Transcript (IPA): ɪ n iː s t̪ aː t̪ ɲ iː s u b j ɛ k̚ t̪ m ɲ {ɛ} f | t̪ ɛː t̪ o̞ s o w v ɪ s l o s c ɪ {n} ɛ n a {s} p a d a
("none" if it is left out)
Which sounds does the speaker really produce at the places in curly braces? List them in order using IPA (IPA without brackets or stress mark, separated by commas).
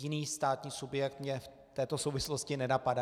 ɛ, n, none